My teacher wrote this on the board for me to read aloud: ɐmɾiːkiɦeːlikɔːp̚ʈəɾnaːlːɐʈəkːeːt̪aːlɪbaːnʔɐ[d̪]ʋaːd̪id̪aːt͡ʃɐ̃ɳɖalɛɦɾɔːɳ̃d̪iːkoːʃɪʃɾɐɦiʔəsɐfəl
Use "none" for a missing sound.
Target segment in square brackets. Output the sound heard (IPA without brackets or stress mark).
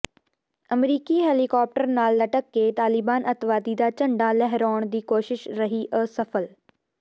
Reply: t̪